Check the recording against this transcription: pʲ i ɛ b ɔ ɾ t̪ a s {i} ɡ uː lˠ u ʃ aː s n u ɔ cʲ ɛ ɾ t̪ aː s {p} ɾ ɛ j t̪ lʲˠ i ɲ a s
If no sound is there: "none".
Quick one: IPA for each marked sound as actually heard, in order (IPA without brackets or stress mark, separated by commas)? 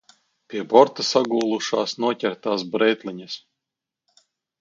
a, b